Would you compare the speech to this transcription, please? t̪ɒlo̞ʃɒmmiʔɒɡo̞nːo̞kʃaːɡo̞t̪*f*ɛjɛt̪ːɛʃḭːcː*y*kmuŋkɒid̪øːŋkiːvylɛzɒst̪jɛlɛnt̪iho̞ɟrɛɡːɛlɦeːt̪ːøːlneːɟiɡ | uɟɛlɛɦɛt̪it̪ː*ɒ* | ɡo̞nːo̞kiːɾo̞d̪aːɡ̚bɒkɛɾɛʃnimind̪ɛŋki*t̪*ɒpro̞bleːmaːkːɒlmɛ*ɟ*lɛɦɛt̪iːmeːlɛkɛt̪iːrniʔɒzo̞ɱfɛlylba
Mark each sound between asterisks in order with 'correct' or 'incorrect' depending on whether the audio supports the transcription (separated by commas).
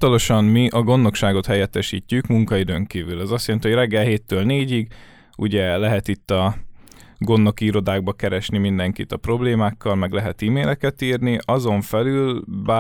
incorrect, correct, correct, correct, incorrect